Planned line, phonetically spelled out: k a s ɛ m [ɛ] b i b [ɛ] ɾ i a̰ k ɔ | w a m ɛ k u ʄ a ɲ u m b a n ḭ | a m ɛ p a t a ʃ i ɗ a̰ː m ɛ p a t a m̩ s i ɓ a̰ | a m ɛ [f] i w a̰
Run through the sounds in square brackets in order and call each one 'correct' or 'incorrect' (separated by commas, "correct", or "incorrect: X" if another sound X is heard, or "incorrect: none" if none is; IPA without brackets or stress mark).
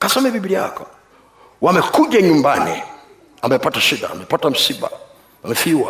correct, incorrect: i, correct